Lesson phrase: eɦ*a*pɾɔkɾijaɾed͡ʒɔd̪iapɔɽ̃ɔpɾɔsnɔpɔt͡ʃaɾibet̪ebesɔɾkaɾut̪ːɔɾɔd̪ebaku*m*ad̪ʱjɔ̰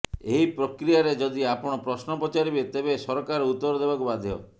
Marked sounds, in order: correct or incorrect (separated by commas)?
incorrect, incorrect